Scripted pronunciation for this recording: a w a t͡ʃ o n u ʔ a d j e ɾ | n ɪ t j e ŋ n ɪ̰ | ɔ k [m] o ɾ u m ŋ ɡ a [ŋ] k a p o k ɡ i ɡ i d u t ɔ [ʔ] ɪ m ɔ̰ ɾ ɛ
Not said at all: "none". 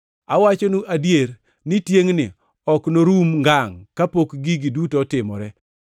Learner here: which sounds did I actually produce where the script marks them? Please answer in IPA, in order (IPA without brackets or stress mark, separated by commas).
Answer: n, ŋ, t